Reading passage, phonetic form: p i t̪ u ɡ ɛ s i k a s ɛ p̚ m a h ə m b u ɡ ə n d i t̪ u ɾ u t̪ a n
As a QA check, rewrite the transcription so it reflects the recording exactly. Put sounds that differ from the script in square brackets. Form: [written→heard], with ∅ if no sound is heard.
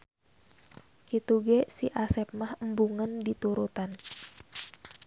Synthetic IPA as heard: [p→k] i t̪ u ɡ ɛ s i [k→ʔ] a s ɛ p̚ m a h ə m b u [ɡ→ŋ] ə n d i t̪ u ɾ u t̪ a n